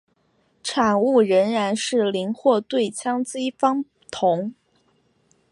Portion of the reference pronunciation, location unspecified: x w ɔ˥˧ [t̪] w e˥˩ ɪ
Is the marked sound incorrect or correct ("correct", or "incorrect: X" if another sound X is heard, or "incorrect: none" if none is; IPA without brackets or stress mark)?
correct